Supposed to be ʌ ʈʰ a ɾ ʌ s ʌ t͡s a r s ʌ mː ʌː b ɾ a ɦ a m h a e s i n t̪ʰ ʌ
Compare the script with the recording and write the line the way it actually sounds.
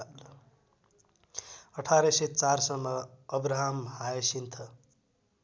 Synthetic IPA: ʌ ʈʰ a ɾ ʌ s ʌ t͡s a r s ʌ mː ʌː b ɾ a ɦ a m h a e s i n t̪ʰ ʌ